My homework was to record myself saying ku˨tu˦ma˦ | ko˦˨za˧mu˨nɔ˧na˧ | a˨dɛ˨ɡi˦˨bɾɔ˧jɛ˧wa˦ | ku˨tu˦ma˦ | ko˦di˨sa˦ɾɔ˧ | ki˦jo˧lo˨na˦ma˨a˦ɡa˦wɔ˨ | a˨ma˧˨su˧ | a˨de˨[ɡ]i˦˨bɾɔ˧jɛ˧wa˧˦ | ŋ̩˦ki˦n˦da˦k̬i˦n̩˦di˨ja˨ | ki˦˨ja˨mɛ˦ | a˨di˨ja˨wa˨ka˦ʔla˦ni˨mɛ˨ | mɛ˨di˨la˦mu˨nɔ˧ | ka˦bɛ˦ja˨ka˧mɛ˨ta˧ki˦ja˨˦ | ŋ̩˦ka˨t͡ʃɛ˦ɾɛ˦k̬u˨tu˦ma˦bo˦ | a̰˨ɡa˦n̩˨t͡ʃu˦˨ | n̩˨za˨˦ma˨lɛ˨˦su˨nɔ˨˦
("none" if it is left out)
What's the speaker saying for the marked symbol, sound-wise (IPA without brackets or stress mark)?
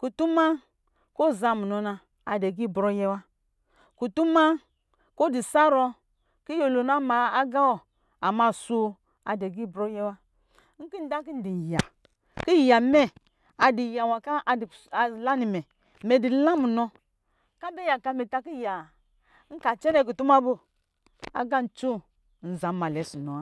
ɡ